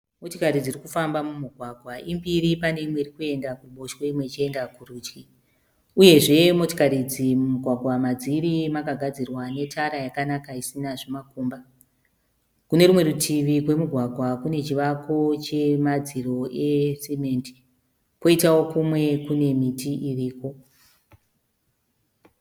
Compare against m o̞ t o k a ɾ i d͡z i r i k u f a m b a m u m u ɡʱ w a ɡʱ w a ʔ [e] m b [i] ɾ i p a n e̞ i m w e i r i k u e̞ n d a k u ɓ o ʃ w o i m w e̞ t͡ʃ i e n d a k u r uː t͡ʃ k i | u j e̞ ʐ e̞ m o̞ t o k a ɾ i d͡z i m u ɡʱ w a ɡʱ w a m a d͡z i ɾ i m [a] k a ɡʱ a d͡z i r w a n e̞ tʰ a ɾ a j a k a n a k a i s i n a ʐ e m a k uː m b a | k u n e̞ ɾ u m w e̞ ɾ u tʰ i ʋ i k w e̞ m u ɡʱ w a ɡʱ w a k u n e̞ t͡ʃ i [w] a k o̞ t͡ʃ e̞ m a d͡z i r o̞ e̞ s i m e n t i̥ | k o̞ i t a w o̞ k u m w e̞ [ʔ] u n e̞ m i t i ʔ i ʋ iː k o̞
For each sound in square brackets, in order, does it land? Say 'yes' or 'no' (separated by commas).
no, yes, yes, no, no